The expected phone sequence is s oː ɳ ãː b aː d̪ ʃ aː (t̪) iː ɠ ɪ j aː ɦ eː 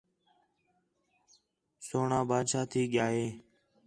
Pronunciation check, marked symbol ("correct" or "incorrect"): incorrect